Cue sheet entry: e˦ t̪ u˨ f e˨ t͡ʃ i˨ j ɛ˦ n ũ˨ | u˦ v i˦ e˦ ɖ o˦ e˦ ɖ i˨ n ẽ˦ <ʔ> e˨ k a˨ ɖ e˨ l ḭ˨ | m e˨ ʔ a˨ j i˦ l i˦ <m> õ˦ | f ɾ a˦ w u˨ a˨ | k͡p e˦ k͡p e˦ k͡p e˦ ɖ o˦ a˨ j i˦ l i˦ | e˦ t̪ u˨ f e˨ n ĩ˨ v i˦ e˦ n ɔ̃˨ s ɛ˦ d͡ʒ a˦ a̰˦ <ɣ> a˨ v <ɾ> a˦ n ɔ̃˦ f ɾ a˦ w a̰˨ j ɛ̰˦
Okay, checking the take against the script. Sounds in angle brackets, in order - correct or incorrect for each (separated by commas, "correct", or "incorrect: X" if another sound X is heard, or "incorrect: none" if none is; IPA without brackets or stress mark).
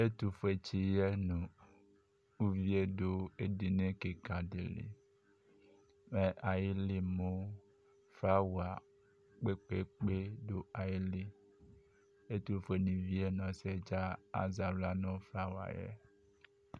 incorrect: k, correct, incorrect: z, incorrect: l